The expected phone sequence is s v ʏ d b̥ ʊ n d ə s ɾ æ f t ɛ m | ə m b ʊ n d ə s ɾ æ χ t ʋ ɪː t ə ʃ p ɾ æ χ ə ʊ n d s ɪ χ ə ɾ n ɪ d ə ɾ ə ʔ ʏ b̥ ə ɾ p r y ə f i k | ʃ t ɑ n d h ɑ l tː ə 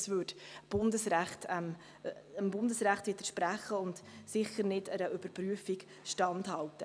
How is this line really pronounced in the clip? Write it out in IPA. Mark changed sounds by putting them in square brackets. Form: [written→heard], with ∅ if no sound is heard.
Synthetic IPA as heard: s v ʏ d b̥ ʊ n d ə s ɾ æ [f→χ] t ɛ m | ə m b ʊ n d ə s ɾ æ χ t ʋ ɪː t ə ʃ p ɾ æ χ ə ʊ n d s ɪ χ ə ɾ n ɪ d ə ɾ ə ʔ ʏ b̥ ə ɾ p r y ə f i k | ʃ t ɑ n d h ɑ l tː ə